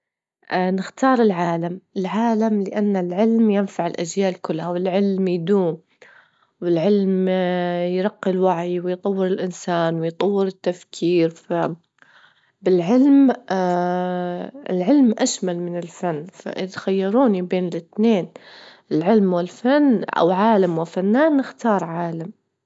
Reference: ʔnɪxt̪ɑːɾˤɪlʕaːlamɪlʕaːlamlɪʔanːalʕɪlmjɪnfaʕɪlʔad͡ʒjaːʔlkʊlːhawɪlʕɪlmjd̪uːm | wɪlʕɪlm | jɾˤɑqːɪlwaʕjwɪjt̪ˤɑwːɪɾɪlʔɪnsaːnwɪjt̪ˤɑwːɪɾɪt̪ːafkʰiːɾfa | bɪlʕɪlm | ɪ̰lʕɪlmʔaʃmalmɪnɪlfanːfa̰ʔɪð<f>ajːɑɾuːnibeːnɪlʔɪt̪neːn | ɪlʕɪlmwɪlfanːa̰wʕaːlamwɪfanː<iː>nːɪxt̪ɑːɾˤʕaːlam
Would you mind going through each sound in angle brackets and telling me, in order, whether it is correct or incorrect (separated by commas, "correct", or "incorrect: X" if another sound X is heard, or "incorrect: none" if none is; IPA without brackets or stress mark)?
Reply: incorrect: x, incorrect: aː